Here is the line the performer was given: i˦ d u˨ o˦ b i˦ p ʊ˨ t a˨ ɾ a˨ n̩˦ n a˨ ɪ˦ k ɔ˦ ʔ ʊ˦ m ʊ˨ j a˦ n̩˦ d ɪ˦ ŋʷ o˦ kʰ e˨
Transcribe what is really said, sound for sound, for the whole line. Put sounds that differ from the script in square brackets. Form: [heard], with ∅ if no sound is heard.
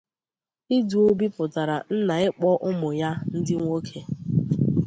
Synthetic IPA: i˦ d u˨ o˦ b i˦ p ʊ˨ t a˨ ɾ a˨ n̩˦ n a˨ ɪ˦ [k͡p] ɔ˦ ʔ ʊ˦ m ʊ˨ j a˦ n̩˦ d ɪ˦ ŋʷ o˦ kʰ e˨